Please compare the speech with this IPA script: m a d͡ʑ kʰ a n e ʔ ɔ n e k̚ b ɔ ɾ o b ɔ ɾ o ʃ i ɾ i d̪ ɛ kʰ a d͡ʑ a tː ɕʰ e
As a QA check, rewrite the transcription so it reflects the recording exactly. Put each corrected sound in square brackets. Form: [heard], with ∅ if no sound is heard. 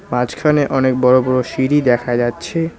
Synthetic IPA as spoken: m a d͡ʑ kʰ a n e ʔ ɔ n e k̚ b ɔ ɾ o b ɔ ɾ o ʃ i ɾ i d̪ ɛ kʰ a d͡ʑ a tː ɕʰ e